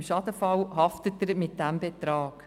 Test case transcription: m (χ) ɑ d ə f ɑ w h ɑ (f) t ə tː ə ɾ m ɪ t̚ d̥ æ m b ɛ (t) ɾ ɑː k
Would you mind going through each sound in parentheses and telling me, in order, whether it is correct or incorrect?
incorrect: ʃ, correct, correct

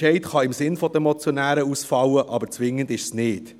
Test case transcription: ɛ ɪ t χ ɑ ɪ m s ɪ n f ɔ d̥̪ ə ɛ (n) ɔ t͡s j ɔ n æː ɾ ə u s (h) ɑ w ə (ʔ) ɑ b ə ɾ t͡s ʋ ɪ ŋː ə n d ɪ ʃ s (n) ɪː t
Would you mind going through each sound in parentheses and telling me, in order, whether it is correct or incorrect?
incorrect: m, incorrect: f, correct, correct

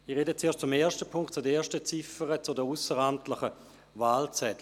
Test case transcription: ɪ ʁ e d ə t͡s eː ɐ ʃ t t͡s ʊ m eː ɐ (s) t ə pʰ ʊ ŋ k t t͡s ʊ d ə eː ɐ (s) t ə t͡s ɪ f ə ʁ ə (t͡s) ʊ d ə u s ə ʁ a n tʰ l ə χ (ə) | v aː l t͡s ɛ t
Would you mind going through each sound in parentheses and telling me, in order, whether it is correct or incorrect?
incorrect: ʃ, incorrect: ʃ, correct, correct

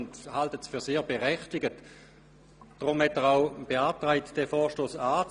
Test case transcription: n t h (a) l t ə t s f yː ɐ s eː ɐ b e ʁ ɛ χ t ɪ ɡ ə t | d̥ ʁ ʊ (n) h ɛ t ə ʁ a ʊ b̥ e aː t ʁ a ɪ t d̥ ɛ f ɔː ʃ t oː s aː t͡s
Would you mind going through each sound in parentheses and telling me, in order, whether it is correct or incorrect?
correct, incorrect: m

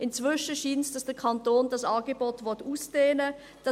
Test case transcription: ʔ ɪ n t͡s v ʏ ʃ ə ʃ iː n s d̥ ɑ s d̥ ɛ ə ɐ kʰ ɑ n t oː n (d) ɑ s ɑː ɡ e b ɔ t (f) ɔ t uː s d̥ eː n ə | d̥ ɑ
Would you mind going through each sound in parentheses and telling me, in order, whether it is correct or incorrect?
correct, incorrect: v

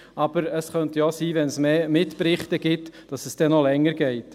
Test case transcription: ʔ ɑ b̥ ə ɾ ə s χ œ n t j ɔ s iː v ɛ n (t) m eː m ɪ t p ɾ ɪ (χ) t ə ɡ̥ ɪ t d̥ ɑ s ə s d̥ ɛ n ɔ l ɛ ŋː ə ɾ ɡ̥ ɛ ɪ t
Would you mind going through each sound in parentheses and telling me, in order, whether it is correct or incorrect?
incorrect: s, correct

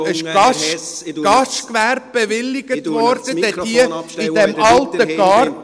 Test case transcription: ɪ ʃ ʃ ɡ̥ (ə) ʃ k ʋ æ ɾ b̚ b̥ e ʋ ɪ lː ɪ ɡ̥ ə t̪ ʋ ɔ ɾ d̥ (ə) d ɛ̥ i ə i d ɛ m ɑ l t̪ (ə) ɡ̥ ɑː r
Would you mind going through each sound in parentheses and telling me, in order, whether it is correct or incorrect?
incorrect: ɑ, correct, correct

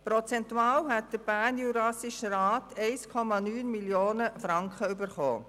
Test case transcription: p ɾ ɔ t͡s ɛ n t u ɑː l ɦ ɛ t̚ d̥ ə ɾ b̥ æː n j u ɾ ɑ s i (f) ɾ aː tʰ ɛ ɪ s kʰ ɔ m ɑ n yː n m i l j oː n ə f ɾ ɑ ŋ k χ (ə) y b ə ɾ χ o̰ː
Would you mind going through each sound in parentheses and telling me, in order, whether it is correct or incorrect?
incorrect: ʃ, correct

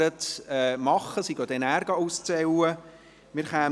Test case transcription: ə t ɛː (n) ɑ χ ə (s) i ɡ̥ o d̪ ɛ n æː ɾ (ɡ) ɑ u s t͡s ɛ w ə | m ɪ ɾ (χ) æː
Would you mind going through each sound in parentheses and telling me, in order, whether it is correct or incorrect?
incorrect: m, correct, correct, correct

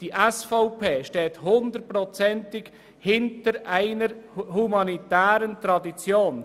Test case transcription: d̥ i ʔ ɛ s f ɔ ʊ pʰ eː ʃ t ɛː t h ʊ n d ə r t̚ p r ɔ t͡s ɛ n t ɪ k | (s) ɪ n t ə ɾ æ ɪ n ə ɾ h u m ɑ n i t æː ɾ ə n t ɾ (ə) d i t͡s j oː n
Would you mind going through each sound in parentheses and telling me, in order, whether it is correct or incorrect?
incorrect: h, incorrect: ɑ

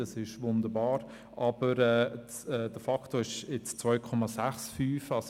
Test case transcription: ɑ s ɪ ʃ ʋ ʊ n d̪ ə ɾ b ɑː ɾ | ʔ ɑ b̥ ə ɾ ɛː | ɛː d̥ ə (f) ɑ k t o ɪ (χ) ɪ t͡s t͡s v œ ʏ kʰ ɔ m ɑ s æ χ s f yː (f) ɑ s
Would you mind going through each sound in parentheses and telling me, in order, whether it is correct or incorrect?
correct, incorrect: ʃ, correct

